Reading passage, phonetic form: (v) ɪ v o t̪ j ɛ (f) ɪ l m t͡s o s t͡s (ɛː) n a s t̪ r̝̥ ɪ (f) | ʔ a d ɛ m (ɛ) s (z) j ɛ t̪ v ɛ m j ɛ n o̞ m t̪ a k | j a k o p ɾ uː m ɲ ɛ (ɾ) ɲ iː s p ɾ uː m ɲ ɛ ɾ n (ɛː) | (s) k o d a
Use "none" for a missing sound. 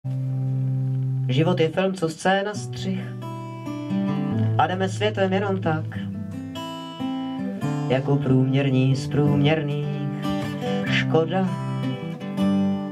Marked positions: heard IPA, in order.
ʒ, f, ɛː, x, ɛ, v, ɾ, iː, ʃ

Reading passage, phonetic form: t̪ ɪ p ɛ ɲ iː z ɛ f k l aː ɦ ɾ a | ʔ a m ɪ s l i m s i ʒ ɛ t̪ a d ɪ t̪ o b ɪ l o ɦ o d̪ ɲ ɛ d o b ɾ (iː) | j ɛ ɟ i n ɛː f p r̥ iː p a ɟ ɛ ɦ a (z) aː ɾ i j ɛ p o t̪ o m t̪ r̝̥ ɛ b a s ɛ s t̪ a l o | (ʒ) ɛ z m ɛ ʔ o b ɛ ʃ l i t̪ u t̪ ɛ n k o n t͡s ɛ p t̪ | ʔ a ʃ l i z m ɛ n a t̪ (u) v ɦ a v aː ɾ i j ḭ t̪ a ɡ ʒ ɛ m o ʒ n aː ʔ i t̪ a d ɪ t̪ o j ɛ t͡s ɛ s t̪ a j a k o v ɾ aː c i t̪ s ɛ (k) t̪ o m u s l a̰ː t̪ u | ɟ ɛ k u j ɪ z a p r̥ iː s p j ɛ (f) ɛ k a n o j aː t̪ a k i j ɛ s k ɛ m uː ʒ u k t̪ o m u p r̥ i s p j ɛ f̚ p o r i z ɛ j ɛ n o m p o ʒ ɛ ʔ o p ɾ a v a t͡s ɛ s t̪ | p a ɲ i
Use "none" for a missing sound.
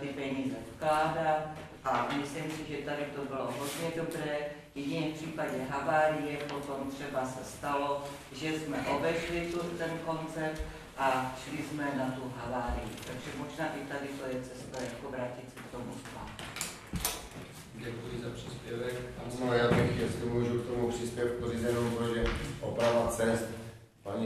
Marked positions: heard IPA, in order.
ɛː, v, ʒ, u, k, v

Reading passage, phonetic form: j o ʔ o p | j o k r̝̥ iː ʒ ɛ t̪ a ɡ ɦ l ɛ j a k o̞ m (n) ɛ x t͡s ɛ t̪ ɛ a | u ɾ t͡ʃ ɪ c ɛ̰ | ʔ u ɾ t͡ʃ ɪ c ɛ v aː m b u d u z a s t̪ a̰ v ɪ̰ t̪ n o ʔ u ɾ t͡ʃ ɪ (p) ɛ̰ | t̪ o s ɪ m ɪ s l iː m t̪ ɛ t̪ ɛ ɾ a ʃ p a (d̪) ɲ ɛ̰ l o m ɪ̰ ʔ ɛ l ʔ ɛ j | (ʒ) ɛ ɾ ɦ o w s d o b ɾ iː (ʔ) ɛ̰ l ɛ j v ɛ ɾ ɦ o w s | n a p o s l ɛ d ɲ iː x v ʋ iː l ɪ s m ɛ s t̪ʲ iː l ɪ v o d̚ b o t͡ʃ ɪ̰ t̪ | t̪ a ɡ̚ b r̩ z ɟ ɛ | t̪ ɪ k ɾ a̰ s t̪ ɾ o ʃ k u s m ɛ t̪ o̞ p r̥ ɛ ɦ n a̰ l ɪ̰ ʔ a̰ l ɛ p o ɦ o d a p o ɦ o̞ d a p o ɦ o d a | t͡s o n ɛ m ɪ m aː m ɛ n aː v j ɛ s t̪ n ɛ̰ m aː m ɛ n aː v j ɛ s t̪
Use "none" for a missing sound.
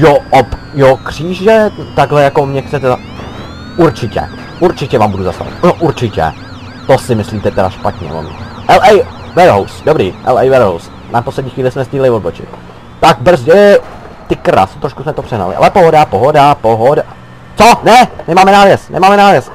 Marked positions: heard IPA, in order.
ɲ, c, t̪, v, ʔ

